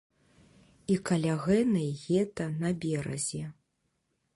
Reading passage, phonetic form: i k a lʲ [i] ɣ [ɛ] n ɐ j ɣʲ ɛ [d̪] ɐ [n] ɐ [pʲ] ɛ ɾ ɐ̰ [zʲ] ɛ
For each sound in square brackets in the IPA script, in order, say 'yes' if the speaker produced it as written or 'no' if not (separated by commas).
no, yes, no, yes, no, yes